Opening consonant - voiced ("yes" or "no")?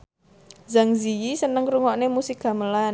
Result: yes